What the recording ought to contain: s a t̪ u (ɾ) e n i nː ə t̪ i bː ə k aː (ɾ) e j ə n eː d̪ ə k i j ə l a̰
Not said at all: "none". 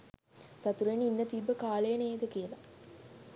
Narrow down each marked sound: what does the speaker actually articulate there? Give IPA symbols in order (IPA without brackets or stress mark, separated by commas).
ɾ, l